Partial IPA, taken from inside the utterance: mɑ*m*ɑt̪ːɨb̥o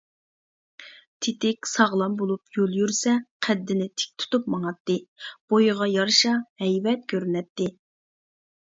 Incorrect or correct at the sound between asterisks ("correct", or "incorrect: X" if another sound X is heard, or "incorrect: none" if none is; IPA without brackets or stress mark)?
incorrect: ŋ